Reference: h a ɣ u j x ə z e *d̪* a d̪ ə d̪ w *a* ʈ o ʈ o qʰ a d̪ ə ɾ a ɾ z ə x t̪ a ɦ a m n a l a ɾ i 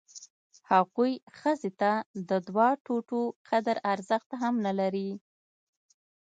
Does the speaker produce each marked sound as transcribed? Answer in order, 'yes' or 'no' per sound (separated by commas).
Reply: no, no